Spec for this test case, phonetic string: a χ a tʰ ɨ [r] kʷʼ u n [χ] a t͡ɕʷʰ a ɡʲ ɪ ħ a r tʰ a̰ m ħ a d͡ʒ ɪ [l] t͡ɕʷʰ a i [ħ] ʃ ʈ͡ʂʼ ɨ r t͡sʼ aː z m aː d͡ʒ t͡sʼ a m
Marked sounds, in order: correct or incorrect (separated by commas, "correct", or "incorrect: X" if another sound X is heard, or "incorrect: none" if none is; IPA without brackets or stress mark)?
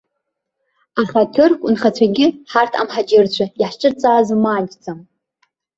correct, correct, incorrect: r, correct